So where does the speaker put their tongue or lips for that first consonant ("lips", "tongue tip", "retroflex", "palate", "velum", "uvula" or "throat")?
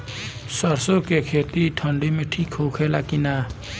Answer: tongue tip